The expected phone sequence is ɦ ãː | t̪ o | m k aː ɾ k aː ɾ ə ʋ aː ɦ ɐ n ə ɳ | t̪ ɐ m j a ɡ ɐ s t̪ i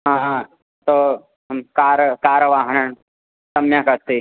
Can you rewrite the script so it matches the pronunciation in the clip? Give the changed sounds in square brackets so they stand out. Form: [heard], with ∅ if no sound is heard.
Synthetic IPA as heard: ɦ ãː | t̪ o | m k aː ɾ k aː ɾ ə ʋ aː ɦ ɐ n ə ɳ | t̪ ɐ m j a [k] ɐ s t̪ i

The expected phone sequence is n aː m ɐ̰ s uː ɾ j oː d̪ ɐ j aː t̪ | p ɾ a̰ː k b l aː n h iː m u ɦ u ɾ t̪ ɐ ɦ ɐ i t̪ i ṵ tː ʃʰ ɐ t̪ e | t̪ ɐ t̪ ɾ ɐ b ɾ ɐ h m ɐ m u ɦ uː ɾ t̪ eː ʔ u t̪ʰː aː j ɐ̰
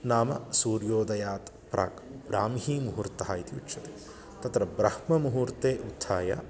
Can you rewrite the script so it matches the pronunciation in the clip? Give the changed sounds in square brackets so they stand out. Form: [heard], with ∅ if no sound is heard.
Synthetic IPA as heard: n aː m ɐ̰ s uː ɾ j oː d̪ ɐ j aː t̪ | p ɾ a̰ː k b [ɾ] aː [m] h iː m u ɦ u ɾ t̪ ɐ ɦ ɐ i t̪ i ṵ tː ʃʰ ɐ t̪ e | t̪ ɐ t̪ ɾ ɐ b ɾ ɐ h m ɐ m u ɦ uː ɾ t̪ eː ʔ u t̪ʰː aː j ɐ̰

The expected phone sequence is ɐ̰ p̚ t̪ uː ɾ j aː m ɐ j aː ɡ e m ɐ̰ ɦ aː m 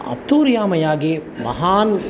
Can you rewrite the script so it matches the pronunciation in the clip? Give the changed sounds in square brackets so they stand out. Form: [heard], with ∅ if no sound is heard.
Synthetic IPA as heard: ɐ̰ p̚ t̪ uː ɾ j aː m ɐ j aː ɡ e m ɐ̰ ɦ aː [n]

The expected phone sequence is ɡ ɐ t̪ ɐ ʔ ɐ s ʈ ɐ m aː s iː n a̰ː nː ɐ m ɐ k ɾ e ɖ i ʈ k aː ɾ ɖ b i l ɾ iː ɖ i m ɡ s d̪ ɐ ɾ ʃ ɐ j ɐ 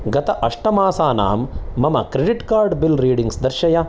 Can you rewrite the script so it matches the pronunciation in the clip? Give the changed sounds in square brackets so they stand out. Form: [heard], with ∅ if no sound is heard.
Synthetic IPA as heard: ɡ ɐ t̪ ɐ ʔ ɐ [ʂ] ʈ ɐ m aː s [aː] n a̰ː [mː] ɐ m ɐ k ɾ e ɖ i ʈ k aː ɾ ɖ b i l ɾ iː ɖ i [ŋ] ɡ s d̪ ɐ ɾ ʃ ɐ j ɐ

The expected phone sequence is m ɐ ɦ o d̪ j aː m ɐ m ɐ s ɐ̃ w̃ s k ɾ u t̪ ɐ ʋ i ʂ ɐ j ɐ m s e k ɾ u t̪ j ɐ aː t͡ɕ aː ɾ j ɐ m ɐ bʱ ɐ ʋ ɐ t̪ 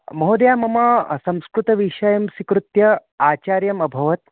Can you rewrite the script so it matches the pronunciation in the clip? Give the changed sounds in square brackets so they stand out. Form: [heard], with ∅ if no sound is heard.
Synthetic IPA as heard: m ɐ ɦ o d̪ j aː m ɐ m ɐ s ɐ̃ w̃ s k ɾ u t̪ ɐ ʋ i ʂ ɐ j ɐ m s [i] k ɾ u t̪ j ɐ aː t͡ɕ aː ɾ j ɐ m ɐ bʱ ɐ ʋ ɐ t̪

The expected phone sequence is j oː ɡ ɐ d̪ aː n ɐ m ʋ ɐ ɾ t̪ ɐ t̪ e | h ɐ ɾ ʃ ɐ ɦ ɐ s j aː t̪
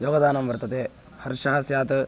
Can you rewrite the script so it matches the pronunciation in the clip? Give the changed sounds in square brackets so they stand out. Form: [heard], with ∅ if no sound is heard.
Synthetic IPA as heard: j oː ɡ ɐ d̪ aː n ɐ m ʋ ɐ ɾ t̪ ɐ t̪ e | h ɐ ɾ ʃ ɐ ɦ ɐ s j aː t̪

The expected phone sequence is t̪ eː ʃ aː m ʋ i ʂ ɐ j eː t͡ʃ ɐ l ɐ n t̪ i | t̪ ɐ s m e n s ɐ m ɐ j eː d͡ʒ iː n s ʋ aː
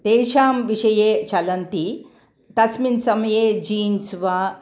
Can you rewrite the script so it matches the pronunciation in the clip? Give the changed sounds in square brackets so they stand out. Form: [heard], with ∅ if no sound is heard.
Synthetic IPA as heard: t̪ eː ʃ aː m ʋ i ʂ ɐ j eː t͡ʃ ɐ l ɐ n t̪ i | t̪ ɐ s m [i] n s ɐ m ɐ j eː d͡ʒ iː n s ʋ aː

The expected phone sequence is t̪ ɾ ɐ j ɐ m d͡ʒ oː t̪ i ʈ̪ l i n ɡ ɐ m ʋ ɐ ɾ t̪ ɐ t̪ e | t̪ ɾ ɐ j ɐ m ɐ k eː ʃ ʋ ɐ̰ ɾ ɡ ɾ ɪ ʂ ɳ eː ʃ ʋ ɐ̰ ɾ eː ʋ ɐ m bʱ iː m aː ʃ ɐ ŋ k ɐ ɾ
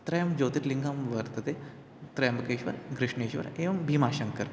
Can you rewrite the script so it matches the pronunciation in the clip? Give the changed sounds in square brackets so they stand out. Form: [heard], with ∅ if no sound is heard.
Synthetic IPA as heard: t̪ ɾ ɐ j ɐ m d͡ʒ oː t̪ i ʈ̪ l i [ŋ] ɡ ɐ m ʋ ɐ ɾ t̪ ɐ t̪ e | t̪ ɾ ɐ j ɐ m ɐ k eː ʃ ʋ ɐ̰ ɾ ɡ ɾ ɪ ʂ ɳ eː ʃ ʋ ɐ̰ ɾ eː ʋ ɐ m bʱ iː m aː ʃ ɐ ŋ k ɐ ɾ

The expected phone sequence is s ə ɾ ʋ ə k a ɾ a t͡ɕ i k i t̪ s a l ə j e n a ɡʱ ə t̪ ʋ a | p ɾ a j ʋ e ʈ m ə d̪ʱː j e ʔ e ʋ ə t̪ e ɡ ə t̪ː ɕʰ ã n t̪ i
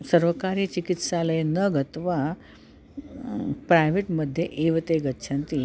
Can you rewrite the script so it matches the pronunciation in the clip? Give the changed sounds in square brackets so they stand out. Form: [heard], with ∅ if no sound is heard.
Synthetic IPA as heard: s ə ɾ ʋ ə k a ɾ [i] t͡ɕ i k i t̪ s a l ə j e n [ə] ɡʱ ə t̪ ʋ a | p ɾ a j ʋ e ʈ m ə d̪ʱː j e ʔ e ʋ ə t̪ e ɡ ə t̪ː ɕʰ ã n t̪ i

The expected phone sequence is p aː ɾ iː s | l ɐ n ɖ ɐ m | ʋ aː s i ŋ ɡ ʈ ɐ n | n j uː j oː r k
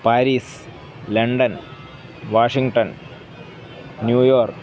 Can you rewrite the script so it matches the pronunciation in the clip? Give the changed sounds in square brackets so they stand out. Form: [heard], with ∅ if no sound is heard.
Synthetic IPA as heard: p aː ɾ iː s | l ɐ [ɳ] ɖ ɐ [n] | ʋ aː [ʂ] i ŋ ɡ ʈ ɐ n | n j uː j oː r k

